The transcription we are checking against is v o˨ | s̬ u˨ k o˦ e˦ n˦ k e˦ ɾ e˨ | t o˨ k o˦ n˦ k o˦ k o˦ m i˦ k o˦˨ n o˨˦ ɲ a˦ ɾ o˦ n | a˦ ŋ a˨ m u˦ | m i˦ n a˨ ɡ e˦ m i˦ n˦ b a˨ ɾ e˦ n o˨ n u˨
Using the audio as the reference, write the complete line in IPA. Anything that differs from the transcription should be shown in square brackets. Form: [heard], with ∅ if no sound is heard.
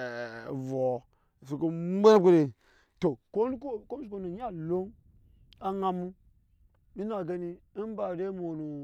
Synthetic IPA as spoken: v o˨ | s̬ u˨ k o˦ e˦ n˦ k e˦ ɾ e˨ | t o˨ k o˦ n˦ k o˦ k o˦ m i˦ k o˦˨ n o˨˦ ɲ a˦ [l] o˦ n | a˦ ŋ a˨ m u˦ | m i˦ n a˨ ɡ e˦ [n] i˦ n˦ b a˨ ɾ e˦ [m] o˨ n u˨

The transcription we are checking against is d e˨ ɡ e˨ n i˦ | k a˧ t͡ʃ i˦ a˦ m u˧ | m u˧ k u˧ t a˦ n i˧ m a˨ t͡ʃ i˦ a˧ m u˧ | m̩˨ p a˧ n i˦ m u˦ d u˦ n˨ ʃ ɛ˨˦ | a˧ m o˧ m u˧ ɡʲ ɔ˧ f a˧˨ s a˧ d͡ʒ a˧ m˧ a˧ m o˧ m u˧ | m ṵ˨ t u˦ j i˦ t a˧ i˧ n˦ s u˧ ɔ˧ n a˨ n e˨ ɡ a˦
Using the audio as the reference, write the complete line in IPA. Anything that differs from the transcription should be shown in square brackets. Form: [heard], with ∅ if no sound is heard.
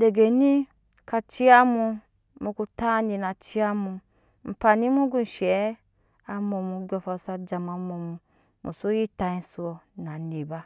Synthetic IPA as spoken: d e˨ ɡ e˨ n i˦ | k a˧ t͡ʃ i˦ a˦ m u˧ | m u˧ k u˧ t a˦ n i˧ [n] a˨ t͡ʃ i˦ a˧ m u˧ | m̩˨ p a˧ n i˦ m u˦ [ɡ] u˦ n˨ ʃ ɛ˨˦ | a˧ m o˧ m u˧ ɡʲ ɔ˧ f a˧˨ s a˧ d͡ʒ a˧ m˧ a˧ m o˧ m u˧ | m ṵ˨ [s] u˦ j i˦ t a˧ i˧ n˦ s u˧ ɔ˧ n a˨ n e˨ [b] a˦

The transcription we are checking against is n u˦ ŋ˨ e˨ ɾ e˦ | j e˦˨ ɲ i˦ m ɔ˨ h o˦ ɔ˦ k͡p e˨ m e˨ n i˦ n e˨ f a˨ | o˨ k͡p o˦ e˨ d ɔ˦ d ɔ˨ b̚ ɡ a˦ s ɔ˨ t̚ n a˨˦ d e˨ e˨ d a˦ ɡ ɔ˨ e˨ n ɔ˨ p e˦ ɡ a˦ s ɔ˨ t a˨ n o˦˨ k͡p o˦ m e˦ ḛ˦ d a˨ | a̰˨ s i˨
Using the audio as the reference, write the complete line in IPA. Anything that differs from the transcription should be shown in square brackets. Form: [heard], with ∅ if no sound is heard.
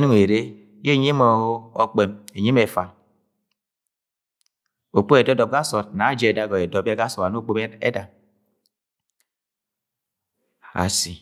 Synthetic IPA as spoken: n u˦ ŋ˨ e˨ ɾ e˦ | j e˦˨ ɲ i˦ m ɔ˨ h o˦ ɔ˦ k͡p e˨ m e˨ [ɲ] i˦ [m] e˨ f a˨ | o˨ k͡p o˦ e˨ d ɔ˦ d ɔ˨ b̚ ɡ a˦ s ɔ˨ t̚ n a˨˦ [d͡ʒ] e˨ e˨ d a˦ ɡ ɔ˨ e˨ [d] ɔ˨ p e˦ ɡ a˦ s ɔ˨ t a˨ n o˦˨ k͡p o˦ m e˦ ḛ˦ d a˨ | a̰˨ s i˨

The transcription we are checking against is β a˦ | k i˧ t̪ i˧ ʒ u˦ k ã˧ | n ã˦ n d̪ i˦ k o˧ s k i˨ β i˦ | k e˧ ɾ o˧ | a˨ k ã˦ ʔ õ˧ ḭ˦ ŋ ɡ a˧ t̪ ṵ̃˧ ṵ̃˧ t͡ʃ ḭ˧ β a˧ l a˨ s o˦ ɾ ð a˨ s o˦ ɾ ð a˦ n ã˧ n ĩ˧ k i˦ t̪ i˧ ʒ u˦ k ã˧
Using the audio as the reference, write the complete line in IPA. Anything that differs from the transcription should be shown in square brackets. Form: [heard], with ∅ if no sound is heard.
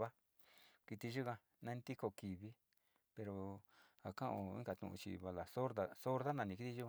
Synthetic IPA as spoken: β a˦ | k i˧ t̪ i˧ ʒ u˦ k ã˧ | n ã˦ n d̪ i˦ k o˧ [∅] k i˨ β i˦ | [p] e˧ ɾ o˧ | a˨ k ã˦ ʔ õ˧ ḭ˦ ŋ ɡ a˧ t̪ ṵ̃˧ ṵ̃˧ t͡ʃ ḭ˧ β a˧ l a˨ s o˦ ɾ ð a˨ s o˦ ɾ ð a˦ n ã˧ n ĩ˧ k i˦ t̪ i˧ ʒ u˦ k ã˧

